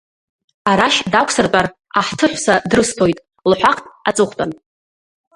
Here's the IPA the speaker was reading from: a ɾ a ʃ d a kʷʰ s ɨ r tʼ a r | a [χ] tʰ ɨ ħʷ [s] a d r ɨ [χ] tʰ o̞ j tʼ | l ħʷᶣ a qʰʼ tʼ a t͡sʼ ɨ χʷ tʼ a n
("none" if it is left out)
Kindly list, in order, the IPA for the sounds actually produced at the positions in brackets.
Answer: ħ, s, s

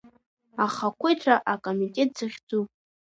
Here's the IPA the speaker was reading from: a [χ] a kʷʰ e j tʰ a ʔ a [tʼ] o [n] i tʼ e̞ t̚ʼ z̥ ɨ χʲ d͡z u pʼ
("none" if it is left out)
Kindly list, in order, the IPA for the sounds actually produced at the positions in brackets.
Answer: χ, kʼ, m

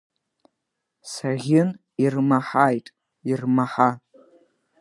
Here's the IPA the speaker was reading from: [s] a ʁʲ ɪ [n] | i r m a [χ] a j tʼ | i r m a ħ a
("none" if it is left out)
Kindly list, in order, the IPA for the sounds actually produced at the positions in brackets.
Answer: s, n, ħ

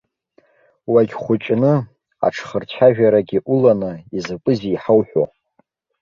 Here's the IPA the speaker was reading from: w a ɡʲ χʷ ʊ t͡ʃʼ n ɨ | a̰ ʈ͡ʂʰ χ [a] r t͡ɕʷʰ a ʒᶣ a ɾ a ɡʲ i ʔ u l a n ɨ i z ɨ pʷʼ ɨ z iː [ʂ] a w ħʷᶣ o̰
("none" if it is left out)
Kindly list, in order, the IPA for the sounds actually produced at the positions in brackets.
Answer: ə, ħ

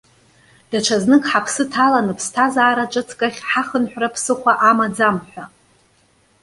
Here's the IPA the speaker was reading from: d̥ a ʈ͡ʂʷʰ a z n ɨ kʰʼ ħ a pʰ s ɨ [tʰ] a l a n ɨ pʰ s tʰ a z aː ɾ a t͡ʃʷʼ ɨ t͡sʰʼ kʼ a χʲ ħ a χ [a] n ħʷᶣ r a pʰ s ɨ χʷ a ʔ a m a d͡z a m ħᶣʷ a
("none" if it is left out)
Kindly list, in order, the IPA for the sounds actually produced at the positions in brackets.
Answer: tʰ, ə

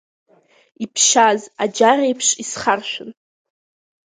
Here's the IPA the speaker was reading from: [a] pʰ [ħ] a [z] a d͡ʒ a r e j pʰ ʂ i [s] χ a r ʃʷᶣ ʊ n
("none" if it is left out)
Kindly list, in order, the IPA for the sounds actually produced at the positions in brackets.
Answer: i, ʃ, z, s

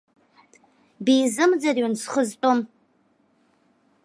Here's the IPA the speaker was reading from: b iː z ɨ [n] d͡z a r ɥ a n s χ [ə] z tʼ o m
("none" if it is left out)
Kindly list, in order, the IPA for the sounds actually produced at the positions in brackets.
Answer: m, ə

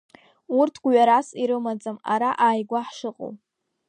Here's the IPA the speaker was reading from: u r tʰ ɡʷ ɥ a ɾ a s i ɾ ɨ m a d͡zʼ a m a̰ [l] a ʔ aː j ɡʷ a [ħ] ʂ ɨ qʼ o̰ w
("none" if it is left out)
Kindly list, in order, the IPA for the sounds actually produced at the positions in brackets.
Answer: ɾ, ħ

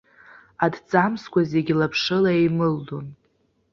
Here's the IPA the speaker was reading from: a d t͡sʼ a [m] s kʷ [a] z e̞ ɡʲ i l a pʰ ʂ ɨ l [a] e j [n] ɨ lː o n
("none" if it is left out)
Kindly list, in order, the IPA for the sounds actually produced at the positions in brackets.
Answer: m, a, a, m

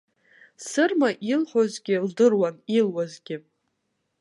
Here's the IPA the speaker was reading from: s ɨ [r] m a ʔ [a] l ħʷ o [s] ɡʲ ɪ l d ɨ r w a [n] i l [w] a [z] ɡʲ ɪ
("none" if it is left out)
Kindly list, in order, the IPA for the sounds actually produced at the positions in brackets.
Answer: r, i, z, n, w, z

